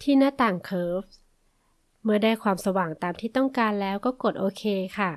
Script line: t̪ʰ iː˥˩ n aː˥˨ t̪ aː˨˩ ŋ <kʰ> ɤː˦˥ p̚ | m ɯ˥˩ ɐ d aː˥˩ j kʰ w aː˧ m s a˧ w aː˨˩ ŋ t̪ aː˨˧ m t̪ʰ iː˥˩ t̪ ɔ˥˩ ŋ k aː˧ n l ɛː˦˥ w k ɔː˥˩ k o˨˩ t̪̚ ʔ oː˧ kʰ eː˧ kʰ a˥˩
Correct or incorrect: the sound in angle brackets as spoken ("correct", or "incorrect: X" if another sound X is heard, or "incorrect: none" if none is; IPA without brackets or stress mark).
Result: correct